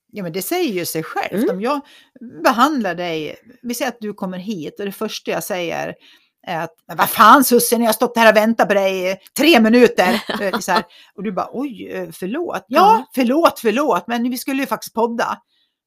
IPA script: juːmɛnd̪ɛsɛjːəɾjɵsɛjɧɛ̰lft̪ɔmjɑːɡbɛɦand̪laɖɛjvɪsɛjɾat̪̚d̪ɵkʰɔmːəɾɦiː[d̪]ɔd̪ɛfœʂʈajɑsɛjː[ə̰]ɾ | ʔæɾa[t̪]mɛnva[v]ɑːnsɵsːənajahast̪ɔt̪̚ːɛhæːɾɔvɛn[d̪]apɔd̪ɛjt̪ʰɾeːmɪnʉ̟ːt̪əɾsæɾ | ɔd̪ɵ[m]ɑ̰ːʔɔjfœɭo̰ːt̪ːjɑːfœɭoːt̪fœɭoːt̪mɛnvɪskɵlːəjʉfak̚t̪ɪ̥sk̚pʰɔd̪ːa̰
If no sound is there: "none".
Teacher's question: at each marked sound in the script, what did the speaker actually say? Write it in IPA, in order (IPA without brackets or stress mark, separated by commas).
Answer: t̪, ə̰, t̪, f, t̪, b